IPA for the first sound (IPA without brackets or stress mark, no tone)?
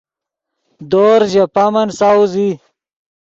d̪